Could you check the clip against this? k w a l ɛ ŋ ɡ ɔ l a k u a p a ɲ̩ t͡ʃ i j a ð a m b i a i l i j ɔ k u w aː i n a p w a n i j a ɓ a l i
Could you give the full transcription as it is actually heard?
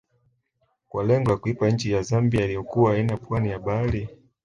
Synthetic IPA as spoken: k w a l ɛ ŋ ɡ ɔ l a k u i p a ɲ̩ t͡ʃ i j a z a m b i a i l i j ɔ k u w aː i n a p w a n i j a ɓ a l i